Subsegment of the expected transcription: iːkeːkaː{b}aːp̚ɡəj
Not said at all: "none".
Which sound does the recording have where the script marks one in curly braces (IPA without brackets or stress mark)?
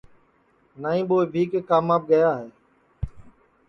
m